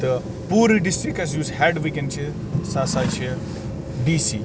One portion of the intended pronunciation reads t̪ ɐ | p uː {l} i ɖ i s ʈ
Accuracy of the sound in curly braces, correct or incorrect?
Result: incorrect